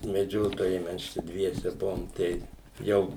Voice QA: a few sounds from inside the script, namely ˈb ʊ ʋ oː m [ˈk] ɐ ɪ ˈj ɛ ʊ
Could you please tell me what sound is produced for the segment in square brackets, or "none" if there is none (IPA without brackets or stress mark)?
t